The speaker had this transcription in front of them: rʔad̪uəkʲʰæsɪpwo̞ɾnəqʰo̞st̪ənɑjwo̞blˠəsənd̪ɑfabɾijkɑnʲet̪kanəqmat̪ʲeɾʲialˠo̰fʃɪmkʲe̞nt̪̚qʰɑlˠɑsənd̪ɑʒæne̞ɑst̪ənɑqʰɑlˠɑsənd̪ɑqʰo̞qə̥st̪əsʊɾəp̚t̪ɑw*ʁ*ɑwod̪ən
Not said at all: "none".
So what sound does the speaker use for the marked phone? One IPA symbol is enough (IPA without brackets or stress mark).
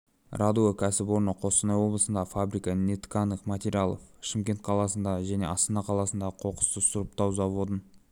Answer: z